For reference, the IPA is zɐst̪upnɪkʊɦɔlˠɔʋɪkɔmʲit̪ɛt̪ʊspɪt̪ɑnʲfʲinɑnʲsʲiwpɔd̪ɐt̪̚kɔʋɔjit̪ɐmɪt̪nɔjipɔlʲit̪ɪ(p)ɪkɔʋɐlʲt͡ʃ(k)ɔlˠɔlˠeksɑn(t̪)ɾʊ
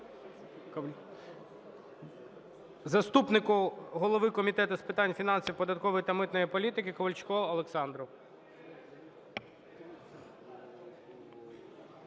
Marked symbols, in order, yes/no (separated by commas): no, yes, no